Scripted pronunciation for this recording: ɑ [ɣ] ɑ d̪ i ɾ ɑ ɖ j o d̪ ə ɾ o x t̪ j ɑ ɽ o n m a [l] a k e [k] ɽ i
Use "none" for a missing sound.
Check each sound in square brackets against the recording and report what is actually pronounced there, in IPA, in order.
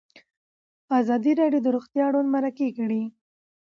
z, ɾ, k

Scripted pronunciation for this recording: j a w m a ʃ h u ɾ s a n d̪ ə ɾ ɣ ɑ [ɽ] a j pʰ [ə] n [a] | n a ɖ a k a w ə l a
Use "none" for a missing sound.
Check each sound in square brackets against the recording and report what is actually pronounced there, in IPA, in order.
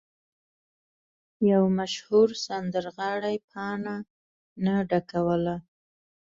ɽ, ɑ, a

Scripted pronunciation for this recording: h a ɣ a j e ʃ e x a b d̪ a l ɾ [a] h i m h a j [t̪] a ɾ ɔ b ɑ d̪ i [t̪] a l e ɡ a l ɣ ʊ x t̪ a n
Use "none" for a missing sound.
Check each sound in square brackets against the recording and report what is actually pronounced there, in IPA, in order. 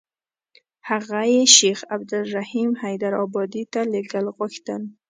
a, d̪, t̪

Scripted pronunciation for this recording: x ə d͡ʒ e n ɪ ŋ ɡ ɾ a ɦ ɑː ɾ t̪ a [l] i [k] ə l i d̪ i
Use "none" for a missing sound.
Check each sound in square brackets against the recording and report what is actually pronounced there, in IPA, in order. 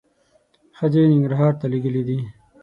l, ɡ

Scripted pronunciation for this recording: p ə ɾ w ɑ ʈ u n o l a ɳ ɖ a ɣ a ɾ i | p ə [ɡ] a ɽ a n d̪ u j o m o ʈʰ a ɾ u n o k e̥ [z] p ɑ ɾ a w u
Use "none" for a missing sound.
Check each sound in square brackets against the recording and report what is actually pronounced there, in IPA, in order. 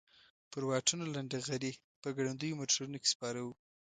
ɡ, s

